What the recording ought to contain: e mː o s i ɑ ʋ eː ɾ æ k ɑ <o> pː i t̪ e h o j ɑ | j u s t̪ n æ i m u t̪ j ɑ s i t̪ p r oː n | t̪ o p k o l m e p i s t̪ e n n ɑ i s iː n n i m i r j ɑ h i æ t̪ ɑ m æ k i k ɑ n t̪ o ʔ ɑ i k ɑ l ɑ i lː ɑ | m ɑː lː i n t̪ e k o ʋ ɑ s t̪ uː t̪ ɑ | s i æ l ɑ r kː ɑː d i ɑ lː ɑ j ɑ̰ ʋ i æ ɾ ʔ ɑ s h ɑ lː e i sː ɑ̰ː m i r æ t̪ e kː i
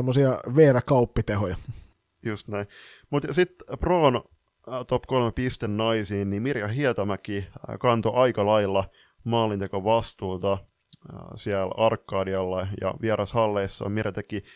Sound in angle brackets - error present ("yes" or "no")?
yes